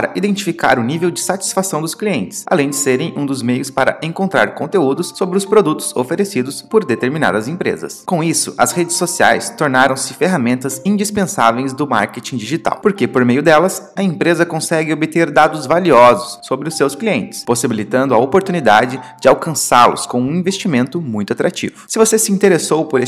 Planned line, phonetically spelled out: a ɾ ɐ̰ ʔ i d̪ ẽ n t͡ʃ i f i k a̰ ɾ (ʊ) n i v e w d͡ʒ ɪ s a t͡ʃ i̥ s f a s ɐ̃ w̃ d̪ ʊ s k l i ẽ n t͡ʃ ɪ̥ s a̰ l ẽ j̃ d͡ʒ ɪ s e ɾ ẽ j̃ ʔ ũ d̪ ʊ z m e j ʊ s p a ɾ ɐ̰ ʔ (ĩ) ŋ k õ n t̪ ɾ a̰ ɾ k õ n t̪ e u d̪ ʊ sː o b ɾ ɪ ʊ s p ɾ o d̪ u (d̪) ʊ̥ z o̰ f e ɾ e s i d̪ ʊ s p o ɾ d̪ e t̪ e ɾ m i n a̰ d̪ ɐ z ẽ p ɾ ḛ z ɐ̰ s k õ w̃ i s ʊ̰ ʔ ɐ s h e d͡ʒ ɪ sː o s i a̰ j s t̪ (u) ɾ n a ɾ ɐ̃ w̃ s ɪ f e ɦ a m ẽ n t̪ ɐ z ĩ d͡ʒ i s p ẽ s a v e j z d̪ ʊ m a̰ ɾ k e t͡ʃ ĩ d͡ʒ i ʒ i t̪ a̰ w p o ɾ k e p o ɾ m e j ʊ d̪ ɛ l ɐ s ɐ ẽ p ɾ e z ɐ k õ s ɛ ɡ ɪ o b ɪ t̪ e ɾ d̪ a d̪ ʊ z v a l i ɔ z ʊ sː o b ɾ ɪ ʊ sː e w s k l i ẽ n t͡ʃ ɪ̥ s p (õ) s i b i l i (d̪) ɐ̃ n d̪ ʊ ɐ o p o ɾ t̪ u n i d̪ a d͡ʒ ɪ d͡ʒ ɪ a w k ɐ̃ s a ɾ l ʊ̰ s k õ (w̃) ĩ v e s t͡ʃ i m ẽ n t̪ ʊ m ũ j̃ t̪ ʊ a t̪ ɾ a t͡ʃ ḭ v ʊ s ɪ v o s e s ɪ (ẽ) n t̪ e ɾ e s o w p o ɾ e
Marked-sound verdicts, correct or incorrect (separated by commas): correct, incorrect, incorrect, incorrect, incorrect, incorrect, incorrect, incorrect